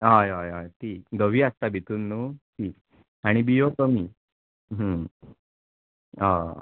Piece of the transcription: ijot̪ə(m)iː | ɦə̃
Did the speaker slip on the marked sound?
no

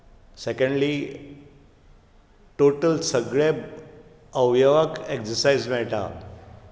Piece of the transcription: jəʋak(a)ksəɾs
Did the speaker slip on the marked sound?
yes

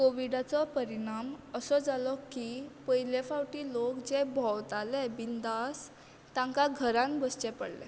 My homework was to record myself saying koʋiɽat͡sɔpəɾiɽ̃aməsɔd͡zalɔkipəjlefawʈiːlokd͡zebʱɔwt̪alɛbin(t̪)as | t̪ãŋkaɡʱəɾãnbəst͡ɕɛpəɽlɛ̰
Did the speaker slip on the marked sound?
yes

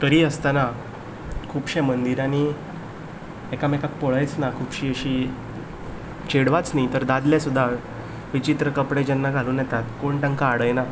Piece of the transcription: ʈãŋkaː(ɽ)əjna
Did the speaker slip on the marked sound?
no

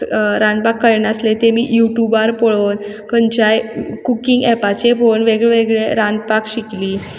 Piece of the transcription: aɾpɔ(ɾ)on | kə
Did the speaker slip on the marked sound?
yes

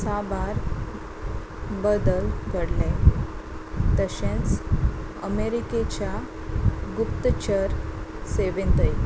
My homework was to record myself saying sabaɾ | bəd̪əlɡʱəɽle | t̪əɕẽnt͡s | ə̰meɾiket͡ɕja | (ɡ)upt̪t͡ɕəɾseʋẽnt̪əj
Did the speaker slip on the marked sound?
no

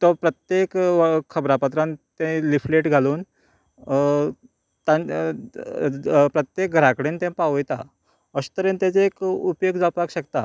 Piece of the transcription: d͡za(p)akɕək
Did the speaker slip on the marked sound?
no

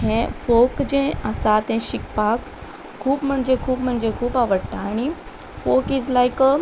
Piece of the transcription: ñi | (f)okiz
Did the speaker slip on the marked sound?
no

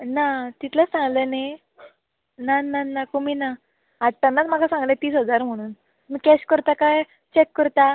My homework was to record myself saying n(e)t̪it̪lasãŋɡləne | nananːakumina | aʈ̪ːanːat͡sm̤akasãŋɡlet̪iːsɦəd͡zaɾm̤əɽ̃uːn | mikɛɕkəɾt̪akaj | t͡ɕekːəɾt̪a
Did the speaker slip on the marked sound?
yes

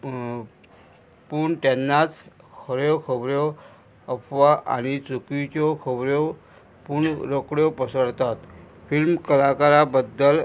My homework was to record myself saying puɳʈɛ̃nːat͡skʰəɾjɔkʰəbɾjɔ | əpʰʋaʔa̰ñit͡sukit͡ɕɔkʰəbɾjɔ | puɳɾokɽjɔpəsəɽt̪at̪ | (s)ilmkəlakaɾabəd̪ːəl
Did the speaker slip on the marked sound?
yes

